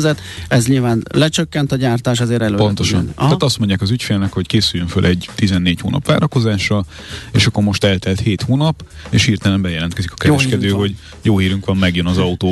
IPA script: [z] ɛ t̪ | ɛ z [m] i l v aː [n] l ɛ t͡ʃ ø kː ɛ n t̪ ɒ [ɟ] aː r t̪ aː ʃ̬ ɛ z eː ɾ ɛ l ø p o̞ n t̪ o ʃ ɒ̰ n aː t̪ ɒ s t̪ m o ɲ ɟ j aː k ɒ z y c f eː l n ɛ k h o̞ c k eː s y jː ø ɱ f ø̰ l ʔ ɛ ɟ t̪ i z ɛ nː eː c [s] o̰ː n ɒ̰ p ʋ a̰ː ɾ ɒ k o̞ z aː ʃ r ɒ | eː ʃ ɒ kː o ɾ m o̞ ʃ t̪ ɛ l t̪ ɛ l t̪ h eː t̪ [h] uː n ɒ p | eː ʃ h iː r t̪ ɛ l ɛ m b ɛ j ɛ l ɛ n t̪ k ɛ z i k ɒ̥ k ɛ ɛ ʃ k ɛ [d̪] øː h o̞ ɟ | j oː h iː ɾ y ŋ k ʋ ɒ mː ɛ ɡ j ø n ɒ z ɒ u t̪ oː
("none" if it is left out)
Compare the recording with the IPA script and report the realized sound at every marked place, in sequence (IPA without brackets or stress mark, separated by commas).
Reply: z, ɲ, n, ɟ, h, h, d̪